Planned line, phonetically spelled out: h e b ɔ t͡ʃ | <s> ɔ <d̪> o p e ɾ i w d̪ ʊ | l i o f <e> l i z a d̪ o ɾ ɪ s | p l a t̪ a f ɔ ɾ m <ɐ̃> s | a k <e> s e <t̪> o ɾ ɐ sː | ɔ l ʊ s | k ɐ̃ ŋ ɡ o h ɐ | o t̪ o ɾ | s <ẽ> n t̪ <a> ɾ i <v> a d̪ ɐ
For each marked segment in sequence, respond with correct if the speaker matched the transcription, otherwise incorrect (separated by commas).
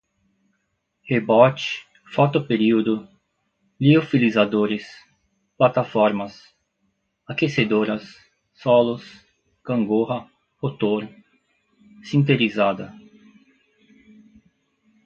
incorrect, incorrect, incorrect, incorrect, correct, incorrect, incorrect, incorrect, incorrect